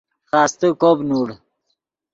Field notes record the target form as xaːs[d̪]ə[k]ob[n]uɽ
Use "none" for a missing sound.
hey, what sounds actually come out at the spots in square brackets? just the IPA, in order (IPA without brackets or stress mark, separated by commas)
t̪, k, n